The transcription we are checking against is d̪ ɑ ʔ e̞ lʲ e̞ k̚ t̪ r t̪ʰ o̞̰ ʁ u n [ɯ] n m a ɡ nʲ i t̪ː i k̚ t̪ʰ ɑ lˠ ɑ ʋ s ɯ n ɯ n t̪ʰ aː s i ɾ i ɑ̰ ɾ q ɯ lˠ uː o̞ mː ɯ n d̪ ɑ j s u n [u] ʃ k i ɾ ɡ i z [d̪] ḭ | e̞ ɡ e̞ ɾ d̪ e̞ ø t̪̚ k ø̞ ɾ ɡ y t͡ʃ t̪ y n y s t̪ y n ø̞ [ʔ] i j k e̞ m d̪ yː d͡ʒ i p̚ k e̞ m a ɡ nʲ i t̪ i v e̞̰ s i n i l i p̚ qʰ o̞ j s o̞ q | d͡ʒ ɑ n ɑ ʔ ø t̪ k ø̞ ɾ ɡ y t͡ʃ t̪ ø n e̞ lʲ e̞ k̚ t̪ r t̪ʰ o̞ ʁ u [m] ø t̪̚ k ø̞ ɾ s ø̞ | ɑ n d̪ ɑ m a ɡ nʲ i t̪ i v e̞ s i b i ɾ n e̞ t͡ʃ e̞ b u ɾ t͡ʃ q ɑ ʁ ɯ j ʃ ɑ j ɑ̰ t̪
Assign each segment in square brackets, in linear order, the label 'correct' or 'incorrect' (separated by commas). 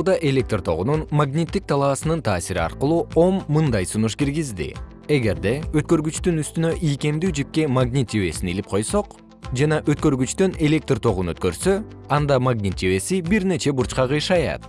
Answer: incorrect, correct, correct, correct, incorrect